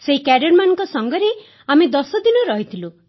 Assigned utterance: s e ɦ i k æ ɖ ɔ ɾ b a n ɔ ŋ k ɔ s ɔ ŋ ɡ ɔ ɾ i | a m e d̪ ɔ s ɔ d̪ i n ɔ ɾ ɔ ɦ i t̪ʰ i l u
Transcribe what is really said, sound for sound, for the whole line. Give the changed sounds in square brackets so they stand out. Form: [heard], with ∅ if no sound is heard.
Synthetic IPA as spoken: s e ɦ i k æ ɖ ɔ ɾ [m] a n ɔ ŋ k ɔ s ɔ ŋ ɡ ɔ ɾ [e] | a m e d̪ ɔ s ɔ d̪ i n ɔ ɾ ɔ ɦ i t̪ʰ i l u

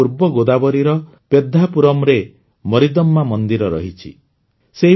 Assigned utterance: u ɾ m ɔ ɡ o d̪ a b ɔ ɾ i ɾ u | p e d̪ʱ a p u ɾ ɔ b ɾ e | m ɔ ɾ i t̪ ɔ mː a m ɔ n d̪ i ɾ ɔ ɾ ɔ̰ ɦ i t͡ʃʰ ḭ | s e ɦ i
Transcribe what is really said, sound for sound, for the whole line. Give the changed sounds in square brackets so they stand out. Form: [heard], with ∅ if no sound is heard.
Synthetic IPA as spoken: u ɾ [b] ɔ ɡ o d̪ a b ɔ ɾ i ɾ [ɔ] | p e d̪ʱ a p u ɾ ɔ [m] ɾ e | m ɔ ɾ i [d̪] ɔ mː a m ɔ n d̪ i ɾ ɔ ɾ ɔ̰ ɦ i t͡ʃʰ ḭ | s e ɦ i

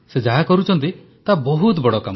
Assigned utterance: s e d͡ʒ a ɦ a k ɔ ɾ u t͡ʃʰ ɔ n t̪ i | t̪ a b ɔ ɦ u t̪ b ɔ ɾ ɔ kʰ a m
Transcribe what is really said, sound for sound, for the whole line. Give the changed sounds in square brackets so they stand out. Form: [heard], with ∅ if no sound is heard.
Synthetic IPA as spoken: s e d͡ʒ a ɦ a k ɔ ɾ u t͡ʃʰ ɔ n t̪ i | t̪ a b ɔ ɦ u t̪ b ɔ [ɽ] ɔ [k] a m

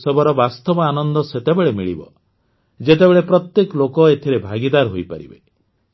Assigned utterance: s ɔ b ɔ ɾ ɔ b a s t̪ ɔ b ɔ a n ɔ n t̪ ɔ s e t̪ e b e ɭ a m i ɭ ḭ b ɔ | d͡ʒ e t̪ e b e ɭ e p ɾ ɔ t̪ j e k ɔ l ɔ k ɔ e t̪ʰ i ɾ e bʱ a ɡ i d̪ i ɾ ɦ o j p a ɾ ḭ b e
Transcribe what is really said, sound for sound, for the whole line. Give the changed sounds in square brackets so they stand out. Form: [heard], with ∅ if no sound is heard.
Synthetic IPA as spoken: s ɔ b ɔ ɾ ɔ b a s t̪ ɔ b ɔ a n ɔ n [d̪] ɔ s e t̪ e b e ɭ [e] m i ɭ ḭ b ɔ | d͡ʒ e t̪ e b e ɭ e p ɾ ɔ t̪ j e k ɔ l [o] k ɔ e t̪ʰ i ɾ e bʱ a ɡ i d̪ [a] ɾ ɦ o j p a ɾ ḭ b e

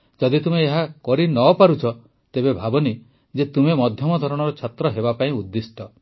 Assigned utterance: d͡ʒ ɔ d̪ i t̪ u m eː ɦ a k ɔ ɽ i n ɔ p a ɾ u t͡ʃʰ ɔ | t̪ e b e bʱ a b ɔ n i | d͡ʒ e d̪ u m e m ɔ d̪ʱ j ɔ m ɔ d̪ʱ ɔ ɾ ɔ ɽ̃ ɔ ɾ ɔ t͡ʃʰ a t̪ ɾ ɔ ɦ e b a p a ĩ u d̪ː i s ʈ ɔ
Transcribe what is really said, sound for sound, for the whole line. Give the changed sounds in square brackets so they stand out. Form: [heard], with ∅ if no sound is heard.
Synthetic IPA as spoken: d͡ʒ ɔ d̪ i t̪ u m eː ɦ a k ɔ [ɾ] i n ɔ p a ɾ u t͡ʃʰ ɔ | t̪ e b e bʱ a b ɔ n i | d͡ʒ e [t̪] u m e m ɔ d̪ʱ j ɔ m ɔ d̪ʱ ɔ ɾ ɔ ɽ̃ ɔ ɾ ɔ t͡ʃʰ a t̪ ɾ ɔ ɦ e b a p a ĩ u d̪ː i s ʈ ɔ

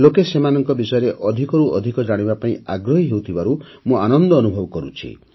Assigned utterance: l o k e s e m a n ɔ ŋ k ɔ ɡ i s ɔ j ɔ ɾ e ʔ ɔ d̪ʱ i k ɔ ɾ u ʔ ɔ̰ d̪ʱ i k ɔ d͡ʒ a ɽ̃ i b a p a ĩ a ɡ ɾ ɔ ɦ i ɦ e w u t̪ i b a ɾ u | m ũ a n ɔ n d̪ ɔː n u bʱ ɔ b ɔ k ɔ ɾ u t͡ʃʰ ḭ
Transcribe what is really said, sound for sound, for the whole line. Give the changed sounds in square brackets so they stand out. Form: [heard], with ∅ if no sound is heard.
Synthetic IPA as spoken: l o k e s e m a n ɔ ŋ k ɔ [b] i s ɔ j ɔ ɾ e ʔ ɔ d̪ʱ i k ɔ ɾ u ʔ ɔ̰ d̪ʱ i k ɔ d͡ʒ a ɽ̃ i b a p a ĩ a ɡ ɾ ɔ ɦ i ɦ e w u [t̪ʰ] i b a ɾ u | m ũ a n ɔ n d̪ ɔː n u bʱ ɔ b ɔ k ɔ ɾ u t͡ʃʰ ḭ

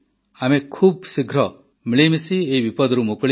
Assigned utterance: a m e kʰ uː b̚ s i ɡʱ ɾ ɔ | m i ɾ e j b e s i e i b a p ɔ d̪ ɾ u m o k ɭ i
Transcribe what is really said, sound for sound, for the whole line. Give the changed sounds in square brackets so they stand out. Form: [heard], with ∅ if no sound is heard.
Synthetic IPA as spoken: a m e kʰ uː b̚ s i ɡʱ ɾ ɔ | m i [ɭ] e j [m] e s i e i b [i] p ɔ d̪ ɾ u m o k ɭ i

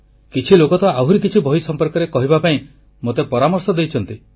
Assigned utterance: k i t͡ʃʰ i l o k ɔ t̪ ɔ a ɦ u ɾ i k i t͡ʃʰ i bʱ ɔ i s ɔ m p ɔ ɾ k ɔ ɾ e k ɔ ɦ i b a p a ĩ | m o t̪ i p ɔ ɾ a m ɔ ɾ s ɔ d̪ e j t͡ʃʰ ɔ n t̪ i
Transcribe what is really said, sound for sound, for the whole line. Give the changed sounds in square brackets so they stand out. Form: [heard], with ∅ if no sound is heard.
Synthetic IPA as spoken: k i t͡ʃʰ i l o k ɔ t̪ ɔ a ɦ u ɾ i k i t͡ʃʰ i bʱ ɔ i s ɔ m p ɔ ɾ k ɔ ɾ e k ɔ ɦ i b a p a ĩ | m o t̪ [e] p ɔ ɾ a m ɔ ɾ s ɔ d̪ e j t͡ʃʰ ɔ n t̪ i

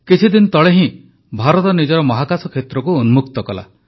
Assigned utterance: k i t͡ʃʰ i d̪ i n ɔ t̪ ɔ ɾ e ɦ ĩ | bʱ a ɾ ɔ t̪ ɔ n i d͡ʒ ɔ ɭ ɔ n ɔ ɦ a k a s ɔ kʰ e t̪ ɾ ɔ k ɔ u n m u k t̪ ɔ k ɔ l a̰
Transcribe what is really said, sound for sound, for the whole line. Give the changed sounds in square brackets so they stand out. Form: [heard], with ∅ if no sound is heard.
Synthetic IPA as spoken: k i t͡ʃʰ i d̪ i n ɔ t̪ ɔ [ɭ] e ɦ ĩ | bʱ a ɾ ɔ t̪ ɔ n i d͡ʒ ɔ [ɾ] ɔ [m] ɔ ɦ a k a s ɔ kʰ e t̪ ɾ ɔ k [u] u n m u k t̪ ɔ k ɔ l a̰

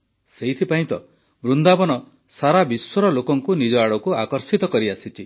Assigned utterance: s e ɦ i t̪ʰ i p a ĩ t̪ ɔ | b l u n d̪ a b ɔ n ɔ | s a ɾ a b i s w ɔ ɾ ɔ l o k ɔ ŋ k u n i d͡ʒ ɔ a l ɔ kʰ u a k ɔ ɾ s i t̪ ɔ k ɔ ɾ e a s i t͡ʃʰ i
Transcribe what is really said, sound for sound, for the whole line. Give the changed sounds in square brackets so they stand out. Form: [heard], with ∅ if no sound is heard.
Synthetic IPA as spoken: s e ɦ i t̪ʰ i p a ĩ t̪ ɔ | b [ɾ] u n d̪ a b ɔ n ɔ | s a ɾ a b i s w ɔ ɾ ɔ l o k ɔ ŋ k u n i d͡ʒ ɔ a [ɽ] ɔ [k] u a k ɔ ɾ s i t̪ ɔ k ɔ ɾ [i] a s i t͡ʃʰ i

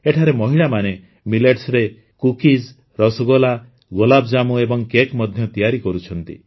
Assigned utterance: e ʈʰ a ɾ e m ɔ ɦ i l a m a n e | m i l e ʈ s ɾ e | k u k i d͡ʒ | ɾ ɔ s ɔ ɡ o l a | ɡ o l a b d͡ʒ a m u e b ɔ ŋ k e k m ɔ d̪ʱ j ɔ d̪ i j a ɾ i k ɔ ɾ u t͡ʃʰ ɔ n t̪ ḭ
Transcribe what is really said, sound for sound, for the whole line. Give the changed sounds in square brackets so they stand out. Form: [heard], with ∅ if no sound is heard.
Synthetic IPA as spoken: e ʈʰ a ɾ e m ɔ ɦ i [ɭ] a m a n e | m i l e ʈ s ɾ e | k u k i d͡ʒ | ɾ ɔ s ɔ ɡ o l a | ɡ o l a b d͡ʒ a m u e b ɔ ŋ k e k m ɔ d̪ʱ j ɔ [t̪] i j a ɾ i k ɔ ɾ u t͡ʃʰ ɔ n t̪ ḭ

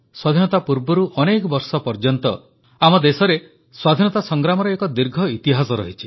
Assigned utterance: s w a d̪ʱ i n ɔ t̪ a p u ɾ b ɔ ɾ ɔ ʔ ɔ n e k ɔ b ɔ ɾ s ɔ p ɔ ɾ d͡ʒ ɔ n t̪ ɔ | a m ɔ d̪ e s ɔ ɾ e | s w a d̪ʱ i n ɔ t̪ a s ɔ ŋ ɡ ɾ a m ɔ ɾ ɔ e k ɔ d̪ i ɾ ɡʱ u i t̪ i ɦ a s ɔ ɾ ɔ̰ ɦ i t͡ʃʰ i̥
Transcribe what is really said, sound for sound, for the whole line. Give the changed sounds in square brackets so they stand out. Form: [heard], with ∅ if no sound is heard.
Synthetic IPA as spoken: s w a d̪ʱ i n ɔ t̪ a p u ɾ b ɔ ɾ [u] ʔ ɔ n e k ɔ b ɔ ɾ s ɔ p ɔ ɾ d͡ʒ ɔ n t̪ ɔ | a m ɔ d̪ e s ɔ ɾ e | s w a d̪ʱ i n ɔ t̪ a s ɔ ŋ ɡ ɾ a m ɔ ɾ ɔ e k ɔ d̪ i ɾ ɡʱ [ɔ] i t̪ i ɦ a s ɔ ɾ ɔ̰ ɦ i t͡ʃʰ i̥

